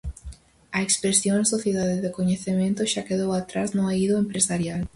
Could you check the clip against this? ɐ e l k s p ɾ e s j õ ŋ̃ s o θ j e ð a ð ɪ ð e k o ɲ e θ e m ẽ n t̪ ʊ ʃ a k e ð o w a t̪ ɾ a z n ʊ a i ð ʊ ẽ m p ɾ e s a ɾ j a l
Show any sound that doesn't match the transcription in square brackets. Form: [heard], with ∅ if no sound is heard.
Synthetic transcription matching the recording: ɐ e [∅] k s p ɾ e s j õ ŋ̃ s o θ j e ð a ð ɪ ð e k o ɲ e θ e m ẽ n t̪ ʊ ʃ a k e ð o w a t̪ ɾ a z n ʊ a i ð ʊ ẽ m p ɾ e s a ɾ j a l